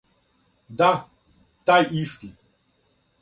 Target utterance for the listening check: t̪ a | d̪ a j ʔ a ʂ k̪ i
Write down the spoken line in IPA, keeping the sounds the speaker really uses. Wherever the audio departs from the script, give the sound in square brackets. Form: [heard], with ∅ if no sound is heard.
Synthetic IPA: [d̪] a | [t̪] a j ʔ [i] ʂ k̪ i